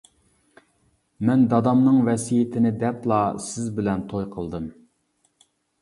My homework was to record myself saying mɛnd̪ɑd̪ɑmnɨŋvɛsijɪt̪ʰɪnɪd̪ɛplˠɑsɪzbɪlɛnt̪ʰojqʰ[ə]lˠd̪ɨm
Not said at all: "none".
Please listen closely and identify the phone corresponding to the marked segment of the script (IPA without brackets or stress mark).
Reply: ə